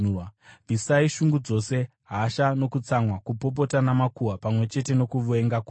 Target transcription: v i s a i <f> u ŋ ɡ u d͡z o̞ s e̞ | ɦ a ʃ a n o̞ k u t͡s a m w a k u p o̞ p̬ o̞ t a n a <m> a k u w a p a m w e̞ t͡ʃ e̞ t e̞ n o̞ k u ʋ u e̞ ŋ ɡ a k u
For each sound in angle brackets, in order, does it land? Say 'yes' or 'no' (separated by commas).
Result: no, yes